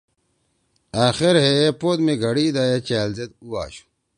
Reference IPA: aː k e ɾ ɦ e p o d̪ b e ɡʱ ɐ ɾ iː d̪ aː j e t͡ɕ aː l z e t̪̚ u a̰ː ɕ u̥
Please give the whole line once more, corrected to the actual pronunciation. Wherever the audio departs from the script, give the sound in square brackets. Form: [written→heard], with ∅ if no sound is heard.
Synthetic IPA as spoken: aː [k→x] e ɾ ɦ e p o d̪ [b→m] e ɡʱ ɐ [ɾ→ɽ] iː d̪ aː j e t͡ɕ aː l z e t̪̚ u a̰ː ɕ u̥